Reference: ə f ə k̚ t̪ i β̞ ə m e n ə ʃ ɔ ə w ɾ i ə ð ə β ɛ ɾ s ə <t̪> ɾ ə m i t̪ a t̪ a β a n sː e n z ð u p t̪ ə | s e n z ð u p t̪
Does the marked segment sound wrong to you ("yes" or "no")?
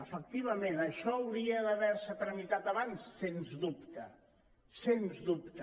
no